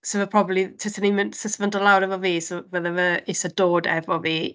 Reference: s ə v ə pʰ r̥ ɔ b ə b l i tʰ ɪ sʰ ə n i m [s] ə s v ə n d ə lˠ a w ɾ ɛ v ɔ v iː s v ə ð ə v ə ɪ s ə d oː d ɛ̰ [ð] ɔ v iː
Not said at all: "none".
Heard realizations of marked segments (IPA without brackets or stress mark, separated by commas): s, v